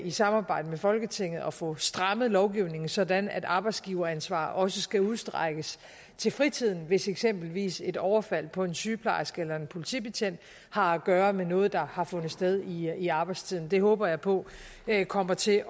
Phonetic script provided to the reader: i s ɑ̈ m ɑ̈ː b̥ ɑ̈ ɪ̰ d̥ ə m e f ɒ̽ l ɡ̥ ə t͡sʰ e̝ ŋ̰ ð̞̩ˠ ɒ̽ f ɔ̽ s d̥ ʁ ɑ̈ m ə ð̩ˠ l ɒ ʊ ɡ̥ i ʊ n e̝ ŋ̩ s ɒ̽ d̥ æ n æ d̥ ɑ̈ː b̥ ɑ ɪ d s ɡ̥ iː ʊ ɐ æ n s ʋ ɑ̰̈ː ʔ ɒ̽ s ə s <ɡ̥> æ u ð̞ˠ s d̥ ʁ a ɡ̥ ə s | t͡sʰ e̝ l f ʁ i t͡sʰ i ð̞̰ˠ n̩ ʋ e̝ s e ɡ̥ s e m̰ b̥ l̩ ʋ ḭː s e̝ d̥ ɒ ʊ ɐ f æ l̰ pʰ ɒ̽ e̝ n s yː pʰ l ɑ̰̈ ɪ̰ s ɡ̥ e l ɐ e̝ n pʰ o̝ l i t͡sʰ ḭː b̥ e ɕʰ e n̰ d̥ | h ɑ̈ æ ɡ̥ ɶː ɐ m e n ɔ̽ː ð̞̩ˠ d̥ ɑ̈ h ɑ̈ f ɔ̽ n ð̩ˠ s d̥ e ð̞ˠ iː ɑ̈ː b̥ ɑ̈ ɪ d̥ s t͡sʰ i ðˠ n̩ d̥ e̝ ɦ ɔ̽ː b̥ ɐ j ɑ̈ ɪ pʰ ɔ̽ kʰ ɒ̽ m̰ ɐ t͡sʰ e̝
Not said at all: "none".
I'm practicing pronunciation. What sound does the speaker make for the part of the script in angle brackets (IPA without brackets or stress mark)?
ɡ̥